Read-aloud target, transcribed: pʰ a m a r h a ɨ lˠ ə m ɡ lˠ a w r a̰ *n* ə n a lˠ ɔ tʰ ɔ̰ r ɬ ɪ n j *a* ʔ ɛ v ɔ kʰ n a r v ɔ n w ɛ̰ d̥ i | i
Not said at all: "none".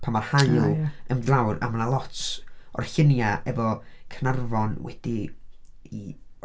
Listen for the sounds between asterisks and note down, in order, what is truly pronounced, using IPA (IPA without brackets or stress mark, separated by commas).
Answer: m, a